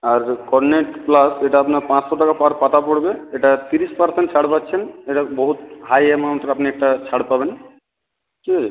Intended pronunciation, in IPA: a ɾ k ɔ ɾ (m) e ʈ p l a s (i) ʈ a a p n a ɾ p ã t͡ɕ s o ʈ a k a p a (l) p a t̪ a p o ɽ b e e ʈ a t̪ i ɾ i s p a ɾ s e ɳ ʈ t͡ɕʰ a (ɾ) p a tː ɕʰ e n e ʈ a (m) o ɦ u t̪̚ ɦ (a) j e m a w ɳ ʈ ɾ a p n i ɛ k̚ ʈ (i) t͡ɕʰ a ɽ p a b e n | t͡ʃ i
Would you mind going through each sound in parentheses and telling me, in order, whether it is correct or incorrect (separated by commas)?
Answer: incorrect, incorrect, incorrect, incorrect, incorrect, correct, incorrect